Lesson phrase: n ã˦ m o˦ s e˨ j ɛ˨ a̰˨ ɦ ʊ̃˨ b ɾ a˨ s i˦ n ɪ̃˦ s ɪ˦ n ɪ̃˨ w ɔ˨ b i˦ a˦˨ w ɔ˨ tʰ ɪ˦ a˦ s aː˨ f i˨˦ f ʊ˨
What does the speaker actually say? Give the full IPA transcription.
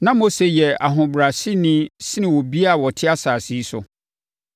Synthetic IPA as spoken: n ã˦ m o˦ s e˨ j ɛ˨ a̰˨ ɦ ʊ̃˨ b ɾ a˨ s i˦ n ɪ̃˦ s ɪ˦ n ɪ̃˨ w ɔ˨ b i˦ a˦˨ w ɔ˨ tʰ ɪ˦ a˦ s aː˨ s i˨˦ s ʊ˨